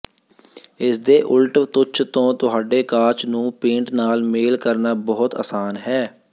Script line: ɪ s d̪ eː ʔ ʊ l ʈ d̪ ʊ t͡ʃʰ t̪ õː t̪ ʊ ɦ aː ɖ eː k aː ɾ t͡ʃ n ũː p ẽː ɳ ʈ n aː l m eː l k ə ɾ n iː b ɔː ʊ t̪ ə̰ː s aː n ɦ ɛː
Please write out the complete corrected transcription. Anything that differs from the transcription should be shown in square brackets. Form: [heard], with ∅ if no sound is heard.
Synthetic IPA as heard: ɪ s d̪ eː ʔ ʊ l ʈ [t̪] ʊ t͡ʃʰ t̪ õː t̪ ʊ ɦ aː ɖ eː k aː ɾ t͡ʃ n ũː p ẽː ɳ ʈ n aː l m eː l k ə ɾ n [aː] b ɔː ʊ t̪ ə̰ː s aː n ɦ ɛː